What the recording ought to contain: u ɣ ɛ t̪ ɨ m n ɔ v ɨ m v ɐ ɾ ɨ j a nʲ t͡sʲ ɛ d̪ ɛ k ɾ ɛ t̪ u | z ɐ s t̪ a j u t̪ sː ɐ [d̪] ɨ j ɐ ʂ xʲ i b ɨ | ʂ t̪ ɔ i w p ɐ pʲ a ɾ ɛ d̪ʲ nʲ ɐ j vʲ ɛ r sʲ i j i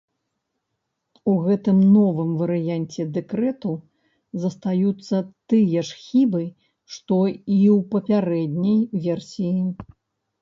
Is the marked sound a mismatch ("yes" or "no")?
yes